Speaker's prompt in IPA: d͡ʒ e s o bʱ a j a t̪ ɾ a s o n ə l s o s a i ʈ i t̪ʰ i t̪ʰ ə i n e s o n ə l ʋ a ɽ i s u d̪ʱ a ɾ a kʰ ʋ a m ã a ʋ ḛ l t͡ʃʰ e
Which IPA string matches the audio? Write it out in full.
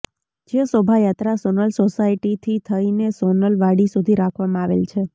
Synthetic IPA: d͡ʒ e s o bʱ a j a t̪ ɾ a s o n ə l s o s a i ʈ i t̪ʰ i t̪ʰ ə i n e s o n ə l ʋ a ɽ i s u d̪ʱ i ɾ a kʰ ʋ a m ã a ʋ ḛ l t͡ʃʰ e